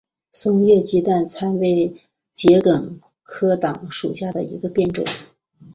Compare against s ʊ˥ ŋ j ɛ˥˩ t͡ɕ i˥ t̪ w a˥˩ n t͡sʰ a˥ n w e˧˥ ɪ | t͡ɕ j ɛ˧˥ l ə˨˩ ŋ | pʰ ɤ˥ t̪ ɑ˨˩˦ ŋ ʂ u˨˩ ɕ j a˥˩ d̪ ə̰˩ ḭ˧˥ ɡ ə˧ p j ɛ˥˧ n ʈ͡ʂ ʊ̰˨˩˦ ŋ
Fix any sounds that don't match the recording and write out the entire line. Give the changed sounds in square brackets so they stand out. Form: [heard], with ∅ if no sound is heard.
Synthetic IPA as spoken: s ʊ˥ ŋ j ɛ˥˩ t͡ɕ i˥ t̪ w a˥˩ n t͡sʰ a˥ n w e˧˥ ɪ | t͡ɕ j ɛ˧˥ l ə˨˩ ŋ | [kʰ] ɤ˥ t̪ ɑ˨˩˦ ŋ ʂ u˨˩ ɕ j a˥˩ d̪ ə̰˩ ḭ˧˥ ɡ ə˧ p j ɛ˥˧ n ʈ͡ʂ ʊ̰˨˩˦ ŋ